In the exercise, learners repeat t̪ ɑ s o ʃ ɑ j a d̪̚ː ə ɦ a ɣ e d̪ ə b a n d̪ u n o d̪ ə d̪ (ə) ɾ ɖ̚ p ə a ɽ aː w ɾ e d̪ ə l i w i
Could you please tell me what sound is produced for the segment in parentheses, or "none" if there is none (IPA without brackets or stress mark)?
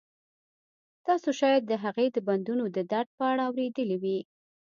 a